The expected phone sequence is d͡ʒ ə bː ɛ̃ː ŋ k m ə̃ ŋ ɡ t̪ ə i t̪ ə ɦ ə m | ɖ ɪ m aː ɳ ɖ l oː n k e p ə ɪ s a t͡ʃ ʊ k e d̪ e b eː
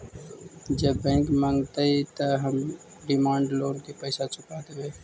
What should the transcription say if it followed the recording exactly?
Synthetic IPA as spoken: d͡ʒ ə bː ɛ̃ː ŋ k m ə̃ ŋ ɡ t̪ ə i t̪ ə ɦ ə m | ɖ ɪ m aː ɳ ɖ l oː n k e p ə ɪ s a t͡ʃ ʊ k a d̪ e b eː